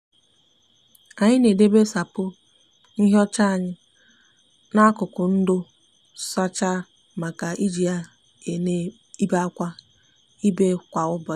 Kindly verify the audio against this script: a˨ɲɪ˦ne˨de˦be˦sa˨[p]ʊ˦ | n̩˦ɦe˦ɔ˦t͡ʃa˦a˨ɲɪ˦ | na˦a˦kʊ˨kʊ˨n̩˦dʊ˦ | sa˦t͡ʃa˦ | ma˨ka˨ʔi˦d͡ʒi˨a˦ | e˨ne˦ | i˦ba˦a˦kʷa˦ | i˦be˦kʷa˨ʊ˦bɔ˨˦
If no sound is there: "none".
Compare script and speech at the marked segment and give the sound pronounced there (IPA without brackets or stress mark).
p